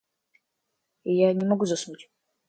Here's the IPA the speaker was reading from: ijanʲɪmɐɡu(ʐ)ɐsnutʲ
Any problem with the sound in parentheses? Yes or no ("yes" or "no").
yes